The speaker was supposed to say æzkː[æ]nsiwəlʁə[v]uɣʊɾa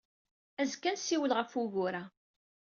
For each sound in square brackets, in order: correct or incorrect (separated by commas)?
correct, incorrect